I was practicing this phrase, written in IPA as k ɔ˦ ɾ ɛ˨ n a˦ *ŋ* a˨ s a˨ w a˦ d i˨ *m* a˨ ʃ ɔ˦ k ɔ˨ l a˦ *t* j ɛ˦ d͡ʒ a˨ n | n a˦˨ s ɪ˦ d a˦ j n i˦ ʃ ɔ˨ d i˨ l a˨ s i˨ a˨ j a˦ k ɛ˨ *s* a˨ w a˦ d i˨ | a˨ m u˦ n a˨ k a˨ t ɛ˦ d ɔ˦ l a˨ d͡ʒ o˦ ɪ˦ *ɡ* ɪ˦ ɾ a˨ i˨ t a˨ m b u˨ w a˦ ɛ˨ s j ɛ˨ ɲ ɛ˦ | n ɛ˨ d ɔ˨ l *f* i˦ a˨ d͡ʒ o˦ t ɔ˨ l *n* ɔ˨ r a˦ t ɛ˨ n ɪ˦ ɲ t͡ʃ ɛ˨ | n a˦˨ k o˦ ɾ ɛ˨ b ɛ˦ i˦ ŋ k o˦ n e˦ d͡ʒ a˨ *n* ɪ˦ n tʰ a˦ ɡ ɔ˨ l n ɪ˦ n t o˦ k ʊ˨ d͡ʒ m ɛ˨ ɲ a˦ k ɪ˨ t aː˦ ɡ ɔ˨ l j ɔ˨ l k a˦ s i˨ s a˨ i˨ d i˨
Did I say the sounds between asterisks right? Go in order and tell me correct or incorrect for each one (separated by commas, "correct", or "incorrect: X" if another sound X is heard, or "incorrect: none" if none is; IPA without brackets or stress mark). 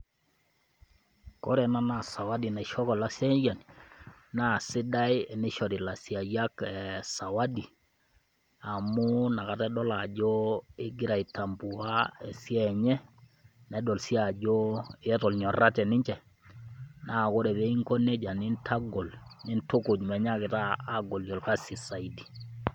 incorrect: n, incorrect: n, incorrect: s, correct, correct, incorrect: s, incorrect: ɲ, correct